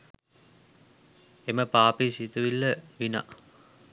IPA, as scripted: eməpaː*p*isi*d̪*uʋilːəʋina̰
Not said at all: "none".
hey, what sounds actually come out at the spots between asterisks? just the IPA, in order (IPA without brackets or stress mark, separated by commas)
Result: p, t̪